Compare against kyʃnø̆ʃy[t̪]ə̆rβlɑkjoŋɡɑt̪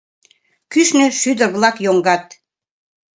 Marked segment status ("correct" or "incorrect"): incorrect